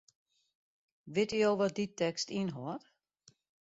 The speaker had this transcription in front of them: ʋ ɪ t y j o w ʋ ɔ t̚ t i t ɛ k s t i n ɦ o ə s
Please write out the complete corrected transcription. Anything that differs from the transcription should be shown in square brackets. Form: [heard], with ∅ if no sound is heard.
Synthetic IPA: ʋ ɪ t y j o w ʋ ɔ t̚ [d] i t ɛ k s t i n ɦ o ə [t]

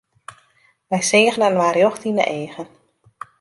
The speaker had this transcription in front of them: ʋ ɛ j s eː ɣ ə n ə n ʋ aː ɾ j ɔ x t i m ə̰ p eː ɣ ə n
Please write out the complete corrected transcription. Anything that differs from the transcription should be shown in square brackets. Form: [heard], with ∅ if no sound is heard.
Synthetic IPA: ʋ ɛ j s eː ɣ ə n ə n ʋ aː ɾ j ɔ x t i [n] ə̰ [ʔ] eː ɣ ə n

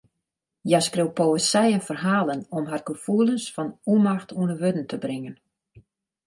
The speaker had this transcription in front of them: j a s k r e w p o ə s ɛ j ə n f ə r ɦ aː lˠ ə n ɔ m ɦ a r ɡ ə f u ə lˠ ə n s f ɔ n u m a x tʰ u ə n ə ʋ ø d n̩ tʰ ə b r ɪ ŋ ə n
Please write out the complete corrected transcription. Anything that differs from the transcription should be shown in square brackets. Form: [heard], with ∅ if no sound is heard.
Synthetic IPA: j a s k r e w p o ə s ɛ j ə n f ə r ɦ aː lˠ ə n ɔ m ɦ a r ɡ ə f u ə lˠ ə n s f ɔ n u m a x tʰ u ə n ə ʋ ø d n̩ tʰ ə b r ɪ ŋ ə n

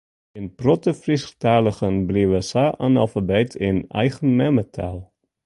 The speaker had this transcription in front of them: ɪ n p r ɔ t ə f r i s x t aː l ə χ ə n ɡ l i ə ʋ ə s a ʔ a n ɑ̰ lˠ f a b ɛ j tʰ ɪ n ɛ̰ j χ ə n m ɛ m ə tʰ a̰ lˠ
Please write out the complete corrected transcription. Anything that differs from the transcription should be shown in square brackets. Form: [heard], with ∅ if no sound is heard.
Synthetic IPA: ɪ n p r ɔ t ə f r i s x t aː l ə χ ə n [b] l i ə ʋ ə s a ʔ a n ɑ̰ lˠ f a b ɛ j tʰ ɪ n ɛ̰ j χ ə n m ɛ m ə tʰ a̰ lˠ

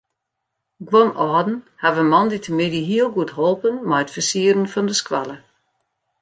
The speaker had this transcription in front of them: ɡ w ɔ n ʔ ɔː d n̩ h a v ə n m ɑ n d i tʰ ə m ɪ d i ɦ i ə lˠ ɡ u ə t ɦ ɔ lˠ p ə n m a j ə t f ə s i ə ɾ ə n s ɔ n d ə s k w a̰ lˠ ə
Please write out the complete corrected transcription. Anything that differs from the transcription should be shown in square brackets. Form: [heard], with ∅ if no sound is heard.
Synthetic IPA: ɡ w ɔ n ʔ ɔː d n̩ h a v ə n m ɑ n d i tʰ ə m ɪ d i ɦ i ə lˠ ɡ u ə t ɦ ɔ lˠ p ə n m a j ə t f ə s i ə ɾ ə n [f] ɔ n d ə s k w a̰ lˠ ə

